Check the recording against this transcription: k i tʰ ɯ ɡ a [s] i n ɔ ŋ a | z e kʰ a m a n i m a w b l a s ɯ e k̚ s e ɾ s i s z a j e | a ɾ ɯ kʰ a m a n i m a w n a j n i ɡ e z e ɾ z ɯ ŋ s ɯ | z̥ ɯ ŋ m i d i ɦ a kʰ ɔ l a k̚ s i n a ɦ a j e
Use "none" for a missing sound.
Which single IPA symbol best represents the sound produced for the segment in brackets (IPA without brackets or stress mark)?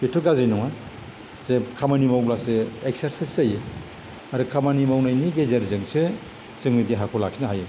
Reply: z